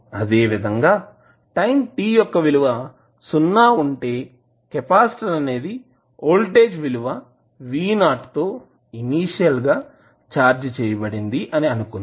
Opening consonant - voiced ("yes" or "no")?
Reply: yes